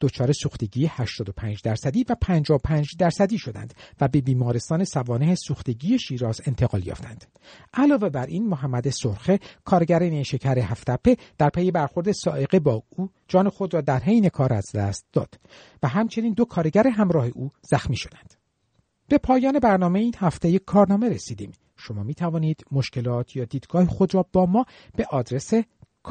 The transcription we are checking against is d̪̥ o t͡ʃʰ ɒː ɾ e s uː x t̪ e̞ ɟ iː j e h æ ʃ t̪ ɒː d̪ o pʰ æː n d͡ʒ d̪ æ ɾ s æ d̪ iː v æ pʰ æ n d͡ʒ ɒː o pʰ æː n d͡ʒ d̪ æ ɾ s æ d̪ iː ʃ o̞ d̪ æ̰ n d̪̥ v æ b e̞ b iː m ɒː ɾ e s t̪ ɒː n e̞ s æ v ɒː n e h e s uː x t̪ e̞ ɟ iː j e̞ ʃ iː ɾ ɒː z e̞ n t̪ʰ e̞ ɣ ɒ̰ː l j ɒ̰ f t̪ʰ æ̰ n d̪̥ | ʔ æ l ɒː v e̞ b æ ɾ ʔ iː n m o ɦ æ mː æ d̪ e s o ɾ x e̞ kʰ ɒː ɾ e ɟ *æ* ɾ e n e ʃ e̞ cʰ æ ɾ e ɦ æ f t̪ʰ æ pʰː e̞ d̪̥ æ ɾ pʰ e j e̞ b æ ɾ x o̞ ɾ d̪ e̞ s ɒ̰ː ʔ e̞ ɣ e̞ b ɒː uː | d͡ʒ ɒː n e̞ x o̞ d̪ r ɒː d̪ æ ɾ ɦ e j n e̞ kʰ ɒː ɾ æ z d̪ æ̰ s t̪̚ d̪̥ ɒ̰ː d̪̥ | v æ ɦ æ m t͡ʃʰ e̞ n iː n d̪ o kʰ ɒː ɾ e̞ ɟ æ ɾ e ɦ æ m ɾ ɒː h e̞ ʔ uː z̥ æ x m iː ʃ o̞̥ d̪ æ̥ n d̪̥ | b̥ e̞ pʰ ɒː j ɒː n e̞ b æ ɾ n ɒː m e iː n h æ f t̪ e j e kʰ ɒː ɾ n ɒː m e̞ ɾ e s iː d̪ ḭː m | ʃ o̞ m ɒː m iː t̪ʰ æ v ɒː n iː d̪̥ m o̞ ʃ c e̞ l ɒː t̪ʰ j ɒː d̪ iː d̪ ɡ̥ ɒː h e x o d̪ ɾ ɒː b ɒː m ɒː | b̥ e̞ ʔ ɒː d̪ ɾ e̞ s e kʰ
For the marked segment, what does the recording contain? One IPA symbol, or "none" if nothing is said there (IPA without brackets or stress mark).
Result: æ